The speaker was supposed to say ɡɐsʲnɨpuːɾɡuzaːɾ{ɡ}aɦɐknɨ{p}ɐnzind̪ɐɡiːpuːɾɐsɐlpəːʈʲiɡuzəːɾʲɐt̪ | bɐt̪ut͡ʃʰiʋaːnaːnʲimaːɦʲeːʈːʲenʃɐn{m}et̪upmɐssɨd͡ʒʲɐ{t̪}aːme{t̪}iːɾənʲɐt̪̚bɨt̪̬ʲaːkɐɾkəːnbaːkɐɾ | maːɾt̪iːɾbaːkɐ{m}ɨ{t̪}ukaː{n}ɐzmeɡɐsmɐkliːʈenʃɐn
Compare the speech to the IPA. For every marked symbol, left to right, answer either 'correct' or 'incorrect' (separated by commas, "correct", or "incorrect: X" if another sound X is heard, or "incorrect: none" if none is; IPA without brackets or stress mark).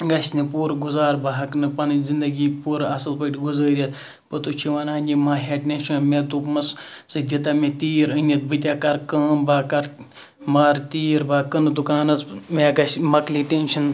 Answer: incorrect: b, correct, correct, correct, correct, incorrect: n, incorrect: d̪, correct